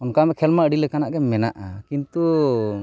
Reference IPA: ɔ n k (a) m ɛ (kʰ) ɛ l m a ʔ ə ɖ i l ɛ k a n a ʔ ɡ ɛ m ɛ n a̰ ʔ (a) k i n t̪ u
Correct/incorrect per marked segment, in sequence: correct, correct, correct

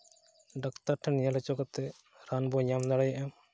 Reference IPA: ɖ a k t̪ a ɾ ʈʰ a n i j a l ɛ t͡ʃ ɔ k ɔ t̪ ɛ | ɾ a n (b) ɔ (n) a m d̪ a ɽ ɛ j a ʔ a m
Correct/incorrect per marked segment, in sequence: correct, incorrect: ɲ

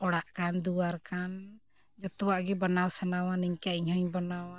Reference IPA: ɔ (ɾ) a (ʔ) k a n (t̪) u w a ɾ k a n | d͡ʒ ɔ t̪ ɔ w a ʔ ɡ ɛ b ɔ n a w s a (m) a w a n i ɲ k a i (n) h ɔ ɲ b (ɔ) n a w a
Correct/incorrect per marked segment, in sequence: incorrect: ɽ, correct, incorrect: d̪, incorrect: n, incorrect: ɲ, correct

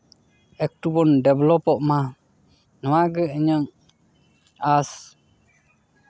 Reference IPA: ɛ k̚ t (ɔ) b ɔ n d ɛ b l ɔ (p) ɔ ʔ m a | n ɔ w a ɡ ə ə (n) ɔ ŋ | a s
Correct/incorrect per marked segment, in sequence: incorrect: u, correct, incorrect: ɲ

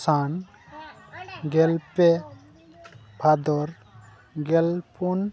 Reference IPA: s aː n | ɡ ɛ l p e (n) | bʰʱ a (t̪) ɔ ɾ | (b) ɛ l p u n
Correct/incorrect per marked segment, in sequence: incorrect: none, incorrect: d̪, incorrect: ɡ

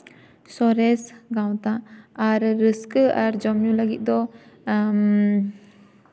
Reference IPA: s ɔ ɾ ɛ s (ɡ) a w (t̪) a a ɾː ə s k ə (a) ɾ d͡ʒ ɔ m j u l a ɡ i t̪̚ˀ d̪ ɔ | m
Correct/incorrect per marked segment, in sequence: correct, correct, correct

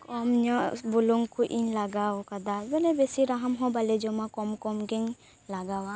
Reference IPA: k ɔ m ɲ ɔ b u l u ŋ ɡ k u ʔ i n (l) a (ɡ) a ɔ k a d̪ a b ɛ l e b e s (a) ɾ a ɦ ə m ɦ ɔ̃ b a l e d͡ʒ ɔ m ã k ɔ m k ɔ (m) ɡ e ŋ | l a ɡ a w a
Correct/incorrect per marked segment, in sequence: correct, correct, incorrect: i, correct

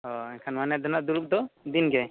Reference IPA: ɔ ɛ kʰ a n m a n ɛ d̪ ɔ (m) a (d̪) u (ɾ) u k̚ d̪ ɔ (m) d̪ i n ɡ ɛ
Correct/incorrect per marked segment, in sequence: incorrect: n, correct, correct, incorrect: none

